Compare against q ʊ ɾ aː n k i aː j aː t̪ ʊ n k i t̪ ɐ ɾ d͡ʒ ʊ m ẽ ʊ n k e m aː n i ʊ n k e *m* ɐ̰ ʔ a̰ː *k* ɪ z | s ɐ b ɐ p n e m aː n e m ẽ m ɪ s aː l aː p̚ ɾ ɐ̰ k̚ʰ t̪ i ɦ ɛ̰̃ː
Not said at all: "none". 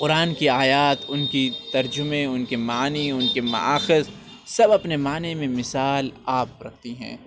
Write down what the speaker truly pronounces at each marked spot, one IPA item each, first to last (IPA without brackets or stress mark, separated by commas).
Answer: m, x